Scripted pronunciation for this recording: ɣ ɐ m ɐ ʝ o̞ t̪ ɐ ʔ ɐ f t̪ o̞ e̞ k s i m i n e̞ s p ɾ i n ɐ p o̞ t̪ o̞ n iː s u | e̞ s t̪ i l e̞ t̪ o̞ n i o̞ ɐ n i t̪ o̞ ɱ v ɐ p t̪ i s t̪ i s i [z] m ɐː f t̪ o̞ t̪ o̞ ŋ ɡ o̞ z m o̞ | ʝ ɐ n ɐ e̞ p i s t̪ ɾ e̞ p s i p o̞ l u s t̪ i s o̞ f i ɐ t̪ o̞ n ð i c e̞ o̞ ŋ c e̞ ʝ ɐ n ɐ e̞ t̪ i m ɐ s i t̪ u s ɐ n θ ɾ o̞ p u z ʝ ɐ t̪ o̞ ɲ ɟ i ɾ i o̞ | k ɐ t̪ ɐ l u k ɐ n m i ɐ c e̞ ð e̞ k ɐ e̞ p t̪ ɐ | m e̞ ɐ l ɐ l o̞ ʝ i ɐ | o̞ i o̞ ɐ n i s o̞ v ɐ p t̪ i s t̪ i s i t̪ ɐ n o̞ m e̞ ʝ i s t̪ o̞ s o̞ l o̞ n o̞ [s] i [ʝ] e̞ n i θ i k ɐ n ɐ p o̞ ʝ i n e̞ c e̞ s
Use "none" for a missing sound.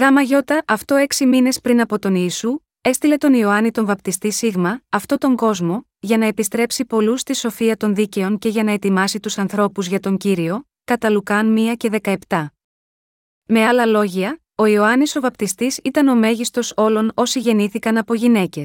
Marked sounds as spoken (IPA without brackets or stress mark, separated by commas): ɣ, s, ʝ